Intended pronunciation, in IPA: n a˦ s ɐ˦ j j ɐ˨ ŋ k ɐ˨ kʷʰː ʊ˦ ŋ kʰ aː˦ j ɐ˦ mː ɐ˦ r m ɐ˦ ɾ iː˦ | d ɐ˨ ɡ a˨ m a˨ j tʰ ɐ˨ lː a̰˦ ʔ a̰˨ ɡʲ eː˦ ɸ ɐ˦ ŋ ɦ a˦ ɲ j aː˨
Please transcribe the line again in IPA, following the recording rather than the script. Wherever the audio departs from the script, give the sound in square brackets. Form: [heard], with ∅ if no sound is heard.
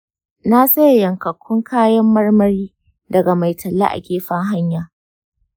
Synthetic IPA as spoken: n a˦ s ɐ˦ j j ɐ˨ ŋ k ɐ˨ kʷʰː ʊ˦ ŋ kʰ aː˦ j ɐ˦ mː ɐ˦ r m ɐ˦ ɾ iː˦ | d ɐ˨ ɡ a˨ m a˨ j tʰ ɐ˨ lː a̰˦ ʔ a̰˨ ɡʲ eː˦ ɸ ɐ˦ ŋ ɦ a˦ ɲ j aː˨

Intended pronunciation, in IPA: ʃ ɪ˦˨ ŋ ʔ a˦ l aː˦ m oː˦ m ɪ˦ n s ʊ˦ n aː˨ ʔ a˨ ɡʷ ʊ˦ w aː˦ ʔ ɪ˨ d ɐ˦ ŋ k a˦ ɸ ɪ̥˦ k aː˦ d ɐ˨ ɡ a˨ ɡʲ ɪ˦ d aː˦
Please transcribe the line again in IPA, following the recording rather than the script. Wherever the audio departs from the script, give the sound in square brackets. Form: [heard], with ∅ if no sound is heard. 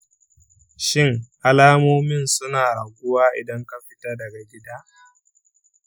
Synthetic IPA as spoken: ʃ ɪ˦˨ ŋ ʔ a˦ l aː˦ m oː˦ m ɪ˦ n s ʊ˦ n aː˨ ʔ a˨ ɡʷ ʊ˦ w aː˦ ʔ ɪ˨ d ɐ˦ ŋ k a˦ ɸ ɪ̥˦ [t] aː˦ d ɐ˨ ɡ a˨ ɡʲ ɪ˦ d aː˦

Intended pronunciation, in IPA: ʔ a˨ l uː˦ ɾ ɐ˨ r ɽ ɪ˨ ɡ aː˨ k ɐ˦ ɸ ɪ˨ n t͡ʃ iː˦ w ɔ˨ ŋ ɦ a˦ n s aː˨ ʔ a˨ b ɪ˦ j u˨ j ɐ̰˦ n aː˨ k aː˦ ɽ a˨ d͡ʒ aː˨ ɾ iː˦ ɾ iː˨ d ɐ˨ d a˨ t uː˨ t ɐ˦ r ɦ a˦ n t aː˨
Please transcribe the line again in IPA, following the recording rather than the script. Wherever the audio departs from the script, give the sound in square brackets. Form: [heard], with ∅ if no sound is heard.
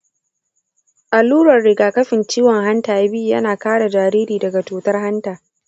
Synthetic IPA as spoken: ʔ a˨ l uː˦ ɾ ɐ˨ r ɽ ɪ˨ ɡ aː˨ k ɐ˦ ɸ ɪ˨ n t͡ʃ iː˦ w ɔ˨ ŋ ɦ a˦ n [t] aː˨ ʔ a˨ b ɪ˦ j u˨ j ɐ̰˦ n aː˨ k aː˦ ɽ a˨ d͡ʒ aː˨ ɾ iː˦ ɾ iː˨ d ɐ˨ [ɡ] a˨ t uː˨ t ɐ˦ r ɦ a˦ n t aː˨

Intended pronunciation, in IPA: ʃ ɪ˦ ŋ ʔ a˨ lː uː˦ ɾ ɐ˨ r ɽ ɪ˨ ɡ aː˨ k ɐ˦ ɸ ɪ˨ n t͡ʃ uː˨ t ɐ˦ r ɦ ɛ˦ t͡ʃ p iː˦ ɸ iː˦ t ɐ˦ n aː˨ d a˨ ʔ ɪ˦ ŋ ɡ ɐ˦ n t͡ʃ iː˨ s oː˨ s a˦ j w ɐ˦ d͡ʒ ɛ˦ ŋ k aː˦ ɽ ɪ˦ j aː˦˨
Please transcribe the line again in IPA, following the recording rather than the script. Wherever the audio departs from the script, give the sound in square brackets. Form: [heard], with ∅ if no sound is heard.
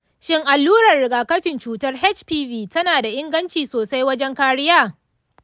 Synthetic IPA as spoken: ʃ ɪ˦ ŋ ʔ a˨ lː uː˦ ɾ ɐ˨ r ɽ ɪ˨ ɡ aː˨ k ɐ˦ ɸ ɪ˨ n t͡ʃ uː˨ t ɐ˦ r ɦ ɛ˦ t͡ʃ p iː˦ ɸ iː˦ t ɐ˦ n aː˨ d a˨ ʔ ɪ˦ ŋ ɡ ɐ˦ n t͡ʃ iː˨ s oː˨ s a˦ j w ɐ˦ d͡ʒ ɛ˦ ŋ k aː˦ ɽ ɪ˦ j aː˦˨

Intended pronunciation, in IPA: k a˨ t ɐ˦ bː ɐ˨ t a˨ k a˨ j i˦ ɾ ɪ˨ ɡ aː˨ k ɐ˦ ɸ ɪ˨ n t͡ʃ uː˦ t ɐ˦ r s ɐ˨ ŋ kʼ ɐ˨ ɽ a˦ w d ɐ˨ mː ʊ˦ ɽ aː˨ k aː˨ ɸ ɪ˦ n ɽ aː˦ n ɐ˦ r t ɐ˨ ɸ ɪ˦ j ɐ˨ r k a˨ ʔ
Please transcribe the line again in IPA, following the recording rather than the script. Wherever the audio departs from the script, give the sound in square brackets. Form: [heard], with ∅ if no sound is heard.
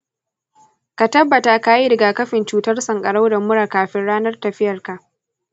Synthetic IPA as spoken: k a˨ t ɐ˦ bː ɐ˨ t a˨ k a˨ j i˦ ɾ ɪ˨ ɡ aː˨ k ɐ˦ ɸ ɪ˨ n t͡ʃ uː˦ t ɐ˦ r s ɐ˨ ŋ kʼ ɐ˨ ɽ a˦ w d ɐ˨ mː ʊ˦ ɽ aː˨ k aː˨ ɸ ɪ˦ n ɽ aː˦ n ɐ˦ r t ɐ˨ ɸ ɪ˦ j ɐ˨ r k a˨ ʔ

